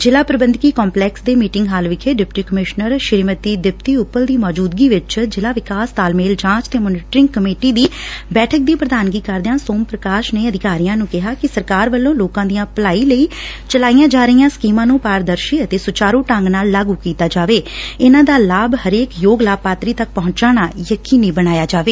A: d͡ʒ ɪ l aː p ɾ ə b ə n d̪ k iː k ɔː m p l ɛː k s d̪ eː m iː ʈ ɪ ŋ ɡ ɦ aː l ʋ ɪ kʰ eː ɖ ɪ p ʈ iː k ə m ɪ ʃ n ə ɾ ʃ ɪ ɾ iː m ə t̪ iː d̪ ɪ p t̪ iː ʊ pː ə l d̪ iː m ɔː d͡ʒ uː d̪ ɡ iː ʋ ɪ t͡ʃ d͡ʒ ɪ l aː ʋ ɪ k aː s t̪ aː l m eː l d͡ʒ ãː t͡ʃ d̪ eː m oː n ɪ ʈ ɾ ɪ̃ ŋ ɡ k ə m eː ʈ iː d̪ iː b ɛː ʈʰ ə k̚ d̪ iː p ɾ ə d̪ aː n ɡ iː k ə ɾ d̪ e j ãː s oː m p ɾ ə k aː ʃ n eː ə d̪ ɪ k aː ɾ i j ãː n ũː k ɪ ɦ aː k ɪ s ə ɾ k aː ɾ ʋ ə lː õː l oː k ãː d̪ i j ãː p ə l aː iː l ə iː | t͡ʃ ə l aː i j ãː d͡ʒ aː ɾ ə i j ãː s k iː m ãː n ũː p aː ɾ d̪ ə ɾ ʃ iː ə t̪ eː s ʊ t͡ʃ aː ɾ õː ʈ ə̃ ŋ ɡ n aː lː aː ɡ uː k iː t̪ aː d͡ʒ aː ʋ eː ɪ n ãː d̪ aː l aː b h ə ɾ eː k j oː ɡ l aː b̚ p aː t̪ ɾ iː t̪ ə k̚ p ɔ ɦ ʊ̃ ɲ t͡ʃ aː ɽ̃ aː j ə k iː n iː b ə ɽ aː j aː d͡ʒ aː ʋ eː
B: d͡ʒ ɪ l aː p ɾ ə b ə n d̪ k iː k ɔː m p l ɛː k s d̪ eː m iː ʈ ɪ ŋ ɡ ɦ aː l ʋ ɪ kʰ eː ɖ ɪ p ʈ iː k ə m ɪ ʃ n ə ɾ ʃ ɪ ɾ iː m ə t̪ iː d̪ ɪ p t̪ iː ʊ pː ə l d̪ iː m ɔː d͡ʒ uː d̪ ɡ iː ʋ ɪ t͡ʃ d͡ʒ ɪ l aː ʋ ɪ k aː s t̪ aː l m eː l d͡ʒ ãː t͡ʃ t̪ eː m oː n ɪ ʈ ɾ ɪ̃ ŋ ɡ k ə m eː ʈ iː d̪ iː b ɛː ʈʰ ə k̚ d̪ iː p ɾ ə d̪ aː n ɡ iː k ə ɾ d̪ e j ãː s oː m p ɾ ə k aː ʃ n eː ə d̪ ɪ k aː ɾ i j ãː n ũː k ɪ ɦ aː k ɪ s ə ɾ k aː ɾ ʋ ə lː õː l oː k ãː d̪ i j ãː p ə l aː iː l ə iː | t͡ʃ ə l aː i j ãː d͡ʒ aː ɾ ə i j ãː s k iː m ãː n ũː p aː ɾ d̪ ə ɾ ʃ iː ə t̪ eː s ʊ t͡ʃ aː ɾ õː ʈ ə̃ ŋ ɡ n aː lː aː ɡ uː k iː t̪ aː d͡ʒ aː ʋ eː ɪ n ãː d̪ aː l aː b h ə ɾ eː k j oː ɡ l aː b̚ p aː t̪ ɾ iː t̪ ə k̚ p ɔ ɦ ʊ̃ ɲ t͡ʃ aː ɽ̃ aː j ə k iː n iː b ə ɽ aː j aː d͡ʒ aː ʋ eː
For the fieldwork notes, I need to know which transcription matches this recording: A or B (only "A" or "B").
B